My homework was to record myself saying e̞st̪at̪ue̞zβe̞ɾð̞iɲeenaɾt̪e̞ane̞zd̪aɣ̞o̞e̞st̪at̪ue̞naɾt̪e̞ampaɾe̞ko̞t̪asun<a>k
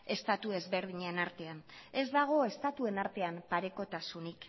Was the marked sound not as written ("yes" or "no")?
yes